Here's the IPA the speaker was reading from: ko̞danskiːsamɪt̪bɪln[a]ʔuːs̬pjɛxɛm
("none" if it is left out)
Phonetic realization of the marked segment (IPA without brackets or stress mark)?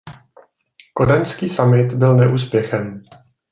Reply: ɛ